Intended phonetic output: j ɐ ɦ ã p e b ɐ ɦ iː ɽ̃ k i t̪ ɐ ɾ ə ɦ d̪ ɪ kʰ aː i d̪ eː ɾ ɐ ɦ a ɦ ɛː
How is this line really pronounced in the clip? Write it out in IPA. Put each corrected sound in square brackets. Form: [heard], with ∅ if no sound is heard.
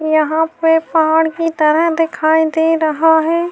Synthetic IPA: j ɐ ɦ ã p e [p] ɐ ɦ [aː] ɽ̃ k i t̪ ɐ ɾ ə ɦ d̪ ɪ kʰ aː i d̪ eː ɾ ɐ ɦ a ɦ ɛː